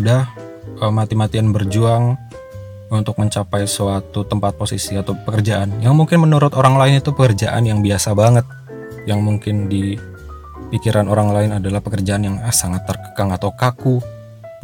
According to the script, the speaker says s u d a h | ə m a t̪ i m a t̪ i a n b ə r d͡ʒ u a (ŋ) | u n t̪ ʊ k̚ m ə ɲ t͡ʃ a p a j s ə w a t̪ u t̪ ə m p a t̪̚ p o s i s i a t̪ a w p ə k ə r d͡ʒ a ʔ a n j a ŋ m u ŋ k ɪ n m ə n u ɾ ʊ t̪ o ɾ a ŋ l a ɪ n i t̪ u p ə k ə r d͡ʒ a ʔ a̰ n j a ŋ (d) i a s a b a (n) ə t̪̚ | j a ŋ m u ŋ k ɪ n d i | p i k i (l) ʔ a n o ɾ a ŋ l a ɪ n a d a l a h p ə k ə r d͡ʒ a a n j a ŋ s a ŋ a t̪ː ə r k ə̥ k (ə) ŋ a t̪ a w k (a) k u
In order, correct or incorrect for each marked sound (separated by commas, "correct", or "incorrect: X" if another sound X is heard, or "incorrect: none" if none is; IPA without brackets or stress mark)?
correct, incorrect: b, incorrect: ŋ, incorrect: ɾ, incorrect: a, correct